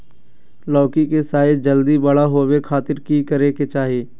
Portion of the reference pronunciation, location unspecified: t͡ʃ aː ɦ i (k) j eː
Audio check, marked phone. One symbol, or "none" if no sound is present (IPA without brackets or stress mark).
none